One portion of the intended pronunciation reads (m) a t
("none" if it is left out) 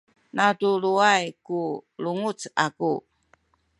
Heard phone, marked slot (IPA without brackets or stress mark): n